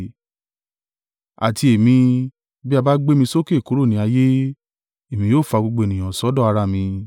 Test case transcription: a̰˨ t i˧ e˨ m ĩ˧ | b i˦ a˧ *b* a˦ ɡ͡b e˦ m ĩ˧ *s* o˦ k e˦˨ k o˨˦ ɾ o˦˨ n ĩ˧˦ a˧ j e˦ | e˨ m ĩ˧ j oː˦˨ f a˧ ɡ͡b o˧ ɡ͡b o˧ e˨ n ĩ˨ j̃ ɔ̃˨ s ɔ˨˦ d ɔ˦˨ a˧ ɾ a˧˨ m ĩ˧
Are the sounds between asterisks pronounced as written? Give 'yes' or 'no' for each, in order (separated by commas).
yes, yes